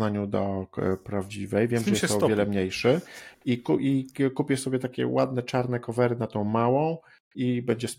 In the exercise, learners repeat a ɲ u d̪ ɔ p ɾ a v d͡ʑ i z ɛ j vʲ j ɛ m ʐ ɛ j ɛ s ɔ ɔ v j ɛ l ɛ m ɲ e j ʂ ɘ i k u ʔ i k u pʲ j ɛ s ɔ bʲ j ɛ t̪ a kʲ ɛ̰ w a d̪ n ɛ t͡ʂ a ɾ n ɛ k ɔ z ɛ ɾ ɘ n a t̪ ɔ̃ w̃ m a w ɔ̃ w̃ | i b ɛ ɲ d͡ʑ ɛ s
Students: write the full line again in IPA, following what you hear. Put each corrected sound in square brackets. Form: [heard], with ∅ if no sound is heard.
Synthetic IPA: a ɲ u d̪ ɔ p ɾ a v d͡ʑ i [v] ɛ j vʲ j ɛ m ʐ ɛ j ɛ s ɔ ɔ v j ɛ l ɛ m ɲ e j ʂ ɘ i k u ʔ i k u pʲ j ɛ s ɔ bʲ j ɛ t̪ a kʲ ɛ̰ w a d̪ n ɛ t͡ʂ a ɾ n ɛ k ɔ [v] ɛ ɾ ɘ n a t̪ ɔ̃ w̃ m a w ɔ̃ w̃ | i b ɛ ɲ d͡ʑ ɛ s